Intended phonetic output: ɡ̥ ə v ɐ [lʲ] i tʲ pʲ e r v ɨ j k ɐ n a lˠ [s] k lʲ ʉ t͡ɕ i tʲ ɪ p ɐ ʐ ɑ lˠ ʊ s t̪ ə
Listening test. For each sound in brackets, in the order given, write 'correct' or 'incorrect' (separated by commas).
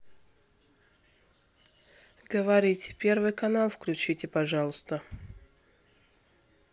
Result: incorrect, incorrect